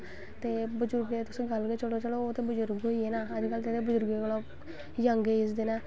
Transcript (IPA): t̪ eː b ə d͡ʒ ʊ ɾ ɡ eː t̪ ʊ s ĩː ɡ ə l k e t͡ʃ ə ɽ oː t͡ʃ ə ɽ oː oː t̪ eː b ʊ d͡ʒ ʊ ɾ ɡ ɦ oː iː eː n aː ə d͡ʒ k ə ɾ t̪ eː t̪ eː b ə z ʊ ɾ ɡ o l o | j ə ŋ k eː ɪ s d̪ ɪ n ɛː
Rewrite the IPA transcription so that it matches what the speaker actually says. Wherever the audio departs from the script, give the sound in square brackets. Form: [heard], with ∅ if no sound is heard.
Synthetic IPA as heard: t̪ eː b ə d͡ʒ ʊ ɾ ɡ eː t̪ ʊ s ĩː ɡ ə l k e t͡ʃ ə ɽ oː t͡ʃ ə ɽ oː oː t̪ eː b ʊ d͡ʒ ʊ ɾ ɡ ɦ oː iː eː n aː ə d͡ʒ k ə [l] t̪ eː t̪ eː b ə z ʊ ɾ ɡ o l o | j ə ŋ [ɡ] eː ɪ s d̪ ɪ n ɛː